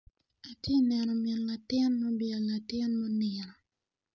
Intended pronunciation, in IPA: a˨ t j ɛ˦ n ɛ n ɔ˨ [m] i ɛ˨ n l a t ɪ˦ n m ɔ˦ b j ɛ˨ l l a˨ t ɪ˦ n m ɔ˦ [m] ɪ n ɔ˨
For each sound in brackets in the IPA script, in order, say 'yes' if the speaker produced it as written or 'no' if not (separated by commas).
yes, no